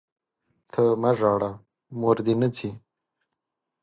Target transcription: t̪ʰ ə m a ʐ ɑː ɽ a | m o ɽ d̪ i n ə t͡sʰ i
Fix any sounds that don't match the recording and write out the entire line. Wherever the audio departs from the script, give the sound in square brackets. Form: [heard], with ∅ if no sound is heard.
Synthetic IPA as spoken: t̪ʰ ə m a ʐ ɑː ɽ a | m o [ɾ] d̪ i n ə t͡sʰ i